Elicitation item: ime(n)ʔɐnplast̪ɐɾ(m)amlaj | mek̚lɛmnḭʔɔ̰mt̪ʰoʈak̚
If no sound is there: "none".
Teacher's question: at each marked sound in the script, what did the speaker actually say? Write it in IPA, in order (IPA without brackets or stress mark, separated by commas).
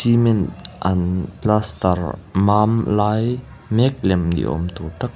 n, m